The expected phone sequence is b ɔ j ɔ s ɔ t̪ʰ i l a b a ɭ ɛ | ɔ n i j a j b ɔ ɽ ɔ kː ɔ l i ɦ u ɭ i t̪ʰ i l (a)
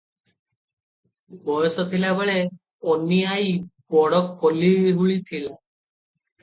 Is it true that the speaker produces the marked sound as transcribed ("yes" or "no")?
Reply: yes